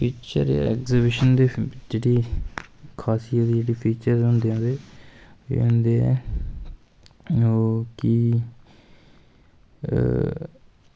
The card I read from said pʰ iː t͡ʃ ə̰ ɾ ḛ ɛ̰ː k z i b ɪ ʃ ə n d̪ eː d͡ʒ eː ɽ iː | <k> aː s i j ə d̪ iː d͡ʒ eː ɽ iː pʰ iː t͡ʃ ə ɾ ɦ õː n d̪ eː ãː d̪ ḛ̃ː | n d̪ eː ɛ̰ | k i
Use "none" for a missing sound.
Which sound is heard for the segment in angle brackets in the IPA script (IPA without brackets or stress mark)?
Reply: kʰ